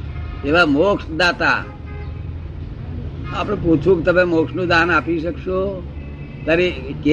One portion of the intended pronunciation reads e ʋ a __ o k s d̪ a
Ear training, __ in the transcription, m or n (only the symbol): m